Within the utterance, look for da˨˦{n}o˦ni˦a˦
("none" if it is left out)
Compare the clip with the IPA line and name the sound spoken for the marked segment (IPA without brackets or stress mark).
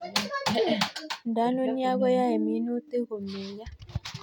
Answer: n